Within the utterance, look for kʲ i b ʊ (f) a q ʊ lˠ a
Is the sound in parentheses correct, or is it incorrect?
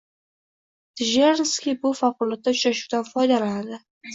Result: correct